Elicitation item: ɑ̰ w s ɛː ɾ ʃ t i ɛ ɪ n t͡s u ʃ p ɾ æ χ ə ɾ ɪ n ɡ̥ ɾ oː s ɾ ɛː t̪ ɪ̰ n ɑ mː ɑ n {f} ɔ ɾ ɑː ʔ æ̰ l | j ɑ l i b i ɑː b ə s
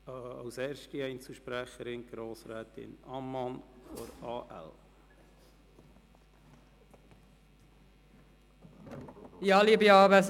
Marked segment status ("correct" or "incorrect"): correct